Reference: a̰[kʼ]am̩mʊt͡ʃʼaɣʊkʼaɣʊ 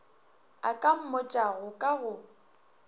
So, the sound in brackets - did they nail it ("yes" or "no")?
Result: yes